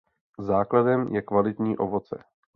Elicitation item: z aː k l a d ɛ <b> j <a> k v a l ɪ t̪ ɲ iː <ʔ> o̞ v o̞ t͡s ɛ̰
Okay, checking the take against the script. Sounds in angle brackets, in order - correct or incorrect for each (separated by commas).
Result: incorrect, incorrect, correct